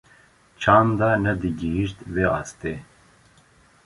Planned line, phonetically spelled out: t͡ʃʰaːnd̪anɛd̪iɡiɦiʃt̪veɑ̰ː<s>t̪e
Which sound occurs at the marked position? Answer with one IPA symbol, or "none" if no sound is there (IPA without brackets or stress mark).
s